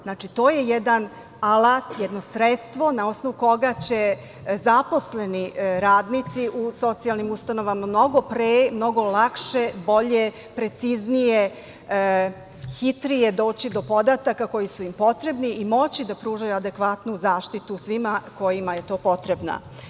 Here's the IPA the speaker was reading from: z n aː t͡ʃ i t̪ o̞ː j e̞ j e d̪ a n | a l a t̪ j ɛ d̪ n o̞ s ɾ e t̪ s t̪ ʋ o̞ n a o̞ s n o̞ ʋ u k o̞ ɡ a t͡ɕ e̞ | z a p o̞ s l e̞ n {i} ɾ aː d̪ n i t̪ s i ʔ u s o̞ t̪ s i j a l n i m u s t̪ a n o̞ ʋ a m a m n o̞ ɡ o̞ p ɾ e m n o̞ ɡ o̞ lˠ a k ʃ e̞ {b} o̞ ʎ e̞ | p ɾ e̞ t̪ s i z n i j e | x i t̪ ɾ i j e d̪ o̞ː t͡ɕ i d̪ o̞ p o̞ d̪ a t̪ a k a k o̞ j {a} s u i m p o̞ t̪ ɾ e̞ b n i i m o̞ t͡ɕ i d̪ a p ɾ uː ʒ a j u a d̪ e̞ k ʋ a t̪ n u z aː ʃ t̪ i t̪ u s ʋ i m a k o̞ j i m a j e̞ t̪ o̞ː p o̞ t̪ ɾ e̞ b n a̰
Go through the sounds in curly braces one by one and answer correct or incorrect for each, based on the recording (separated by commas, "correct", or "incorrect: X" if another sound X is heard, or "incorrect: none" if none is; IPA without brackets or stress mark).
correct, correct, incorrect: i